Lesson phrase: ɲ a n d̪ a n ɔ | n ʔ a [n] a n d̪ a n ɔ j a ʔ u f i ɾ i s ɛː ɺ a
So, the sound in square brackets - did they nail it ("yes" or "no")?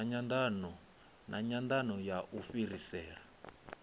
no